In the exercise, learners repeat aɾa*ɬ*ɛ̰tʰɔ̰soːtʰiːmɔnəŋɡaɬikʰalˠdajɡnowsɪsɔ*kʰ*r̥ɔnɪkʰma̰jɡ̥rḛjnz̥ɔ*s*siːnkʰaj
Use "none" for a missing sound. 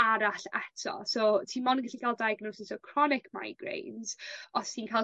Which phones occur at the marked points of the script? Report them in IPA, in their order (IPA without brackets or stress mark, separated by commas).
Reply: ɬ, kʰ, s